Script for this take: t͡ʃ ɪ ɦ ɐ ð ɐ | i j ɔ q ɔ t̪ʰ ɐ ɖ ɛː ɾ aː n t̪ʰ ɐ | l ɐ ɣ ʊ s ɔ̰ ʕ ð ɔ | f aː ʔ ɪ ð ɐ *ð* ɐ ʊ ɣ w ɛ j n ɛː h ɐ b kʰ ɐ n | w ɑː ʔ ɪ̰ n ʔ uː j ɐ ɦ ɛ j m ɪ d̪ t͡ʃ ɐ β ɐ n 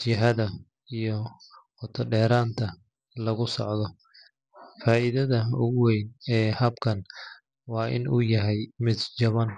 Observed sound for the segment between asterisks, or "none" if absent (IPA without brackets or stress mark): ð